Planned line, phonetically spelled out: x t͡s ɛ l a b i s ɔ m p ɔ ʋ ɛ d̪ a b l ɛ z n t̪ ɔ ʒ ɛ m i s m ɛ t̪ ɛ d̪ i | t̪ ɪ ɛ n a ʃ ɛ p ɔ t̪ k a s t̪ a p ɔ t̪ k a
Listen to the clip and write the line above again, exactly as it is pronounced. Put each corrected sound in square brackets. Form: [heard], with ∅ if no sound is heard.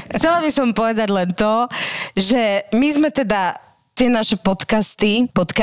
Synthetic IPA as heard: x t͡s ɛ l a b i s ɔ m p ɔ ʋ ɛ d̪ a [ɟ] l ɛ [∅] n t̪ ɔ ʒ ɛ m i [z] m ɛ t̪ ɛ d̪ [a] | t̪ ɪ ɛ n a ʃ ɛ p ɔ t̪ k a s t̪ [i] p ɔ t̪ k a